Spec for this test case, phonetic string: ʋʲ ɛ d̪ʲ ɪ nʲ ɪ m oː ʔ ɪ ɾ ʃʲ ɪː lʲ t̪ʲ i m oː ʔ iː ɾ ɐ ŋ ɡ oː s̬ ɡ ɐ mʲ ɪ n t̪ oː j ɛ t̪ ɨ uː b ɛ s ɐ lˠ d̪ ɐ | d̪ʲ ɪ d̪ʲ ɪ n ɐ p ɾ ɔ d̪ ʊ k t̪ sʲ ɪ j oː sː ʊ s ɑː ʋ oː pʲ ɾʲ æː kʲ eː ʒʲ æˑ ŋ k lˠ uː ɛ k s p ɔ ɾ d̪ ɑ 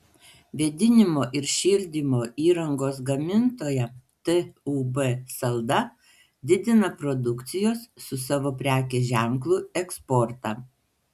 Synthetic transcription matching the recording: ʋʲ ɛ d̪ʲ ɪ nʲ ɪ m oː ʔ ɪ ɾ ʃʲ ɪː lʲ d̪ʲ i m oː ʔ iː ɾ ɐ ŋ ɡ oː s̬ ɡ ɐ mʲ ɪ n t̪ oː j ɛ t̪ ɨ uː b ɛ s ɐ lˠ d̪ ɐ | d̪ʲ ɪ d̪ʲ ɪ n ɐ p ɾ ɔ d̪ ʊ k t̪ sʲ ɪ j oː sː ʊ s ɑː ʋ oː pʲ ɾʲ æː kʲ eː ʒʲ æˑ ŋ k lˠ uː ɛ k s p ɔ ɾ t̪ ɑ